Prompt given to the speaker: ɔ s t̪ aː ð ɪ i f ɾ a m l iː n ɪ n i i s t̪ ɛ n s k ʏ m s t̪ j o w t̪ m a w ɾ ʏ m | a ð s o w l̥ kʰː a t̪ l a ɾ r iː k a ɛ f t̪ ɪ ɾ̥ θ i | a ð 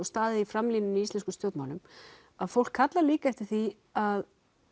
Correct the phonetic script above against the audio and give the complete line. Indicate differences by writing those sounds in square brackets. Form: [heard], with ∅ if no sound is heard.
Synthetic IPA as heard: ɔ s t̪ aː ð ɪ i f ɾ a m l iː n ɪ n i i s t̪ ɛ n s k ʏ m s t̪ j o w t̪ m a w [l] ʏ m | a ð [f] o w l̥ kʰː a t̪ l a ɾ [l] iː k a ɛ f t̪ ɪ ɾ̥ θ i | a ð